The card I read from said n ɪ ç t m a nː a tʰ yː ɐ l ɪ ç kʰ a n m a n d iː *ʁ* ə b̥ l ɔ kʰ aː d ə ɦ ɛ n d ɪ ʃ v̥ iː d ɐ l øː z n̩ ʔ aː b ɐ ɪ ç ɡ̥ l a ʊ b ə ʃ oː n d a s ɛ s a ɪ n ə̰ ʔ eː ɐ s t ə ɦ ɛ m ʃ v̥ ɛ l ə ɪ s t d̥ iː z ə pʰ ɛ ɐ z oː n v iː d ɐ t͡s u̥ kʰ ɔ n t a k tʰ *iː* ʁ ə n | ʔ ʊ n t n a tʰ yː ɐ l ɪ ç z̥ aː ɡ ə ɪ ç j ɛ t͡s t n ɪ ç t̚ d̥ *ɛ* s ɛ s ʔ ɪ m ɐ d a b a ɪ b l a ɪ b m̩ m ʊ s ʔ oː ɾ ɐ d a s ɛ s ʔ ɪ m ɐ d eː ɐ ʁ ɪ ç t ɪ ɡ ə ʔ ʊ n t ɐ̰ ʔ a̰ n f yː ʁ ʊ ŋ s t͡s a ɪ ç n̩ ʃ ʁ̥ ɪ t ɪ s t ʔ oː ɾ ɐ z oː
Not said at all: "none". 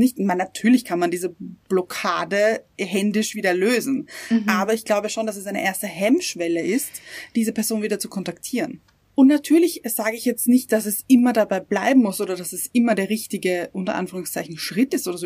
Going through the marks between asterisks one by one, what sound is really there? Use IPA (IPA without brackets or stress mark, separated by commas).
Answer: z, iː, a